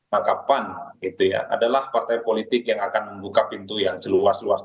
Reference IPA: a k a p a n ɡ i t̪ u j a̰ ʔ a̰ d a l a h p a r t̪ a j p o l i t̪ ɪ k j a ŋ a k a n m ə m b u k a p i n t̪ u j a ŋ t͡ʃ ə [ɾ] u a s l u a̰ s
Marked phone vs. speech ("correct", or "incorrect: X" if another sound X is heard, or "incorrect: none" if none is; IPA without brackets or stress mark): incorrect: l